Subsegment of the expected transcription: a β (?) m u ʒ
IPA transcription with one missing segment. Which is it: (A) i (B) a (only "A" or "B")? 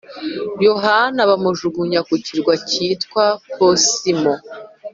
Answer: B